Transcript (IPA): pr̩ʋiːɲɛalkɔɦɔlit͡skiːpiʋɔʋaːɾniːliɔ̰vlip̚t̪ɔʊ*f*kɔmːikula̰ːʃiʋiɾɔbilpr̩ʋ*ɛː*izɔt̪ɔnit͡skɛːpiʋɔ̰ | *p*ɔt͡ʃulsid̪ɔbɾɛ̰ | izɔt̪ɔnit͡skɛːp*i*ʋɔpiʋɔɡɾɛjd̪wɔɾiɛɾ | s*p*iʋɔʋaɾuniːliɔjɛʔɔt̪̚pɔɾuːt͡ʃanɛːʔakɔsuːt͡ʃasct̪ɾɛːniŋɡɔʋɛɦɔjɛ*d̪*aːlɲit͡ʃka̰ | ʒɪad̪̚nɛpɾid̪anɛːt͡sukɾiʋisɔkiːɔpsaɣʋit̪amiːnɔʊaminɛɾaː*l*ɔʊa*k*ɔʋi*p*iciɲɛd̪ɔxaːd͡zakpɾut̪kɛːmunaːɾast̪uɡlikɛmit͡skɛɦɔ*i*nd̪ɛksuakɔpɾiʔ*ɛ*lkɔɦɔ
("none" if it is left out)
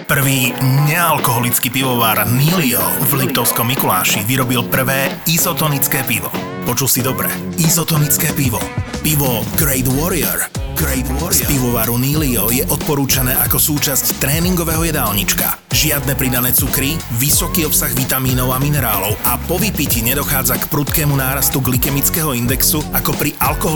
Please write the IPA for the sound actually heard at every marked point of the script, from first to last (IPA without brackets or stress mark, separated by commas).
s, ɛː, p, i, p, d̪, l, p, p, i, a